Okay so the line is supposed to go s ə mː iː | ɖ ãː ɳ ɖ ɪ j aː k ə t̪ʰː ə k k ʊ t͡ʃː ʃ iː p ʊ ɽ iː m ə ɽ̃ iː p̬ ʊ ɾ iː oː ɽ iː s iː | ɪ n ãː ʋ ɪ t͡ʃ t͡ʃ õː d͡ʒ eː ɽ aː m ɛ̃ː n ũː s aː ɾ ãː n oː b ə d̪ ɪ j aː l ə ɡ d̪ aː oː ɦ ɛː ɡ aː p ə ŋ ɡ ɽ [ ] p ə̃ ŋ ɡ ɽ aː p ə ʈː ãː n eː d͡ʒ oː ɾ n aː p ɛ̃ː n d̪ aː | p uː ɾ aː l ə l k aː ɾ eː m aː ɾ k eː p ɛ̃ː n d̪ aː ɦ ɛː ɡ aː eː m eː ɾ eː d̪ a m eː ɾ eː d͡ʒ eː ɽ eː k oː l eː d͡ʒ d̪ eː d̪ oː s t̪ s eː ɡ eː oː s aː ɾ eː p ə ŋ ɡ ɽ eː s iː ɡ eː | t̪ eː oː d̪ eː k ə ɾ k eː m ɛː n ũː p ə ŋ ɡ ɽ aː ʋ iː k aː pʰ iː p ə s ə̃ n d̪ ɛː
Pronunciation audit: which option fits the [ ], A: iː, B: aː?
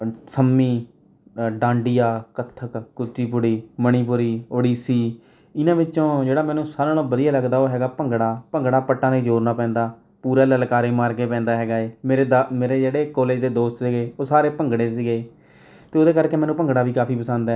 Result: B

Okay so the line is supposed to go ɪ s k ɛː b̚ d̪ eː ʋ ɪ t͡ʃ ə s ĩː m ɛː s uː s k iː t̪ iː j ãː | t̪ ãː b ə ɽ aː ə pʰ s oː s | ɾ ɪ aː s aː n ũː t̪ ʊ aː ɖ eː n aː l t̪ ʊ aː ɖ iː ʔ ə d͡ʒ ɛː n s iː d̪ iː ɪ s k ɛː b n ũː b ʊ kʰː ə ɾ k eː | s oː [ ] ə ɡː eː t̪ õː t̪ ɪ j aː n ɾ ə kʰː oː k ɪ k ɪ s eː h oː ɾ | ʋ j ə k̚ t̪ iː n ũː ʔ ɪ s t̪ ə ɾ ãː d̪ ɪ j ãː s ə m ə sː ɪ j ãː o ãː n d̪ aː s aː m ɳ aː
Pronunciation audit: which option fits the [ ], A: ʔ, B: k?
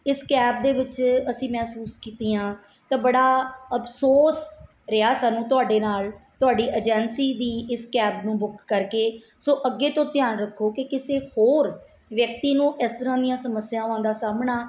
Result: A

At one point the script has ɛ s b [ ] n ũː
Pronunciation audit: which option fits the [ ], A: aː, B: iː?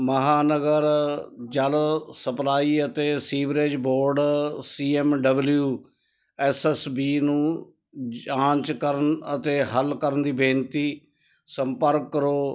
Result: B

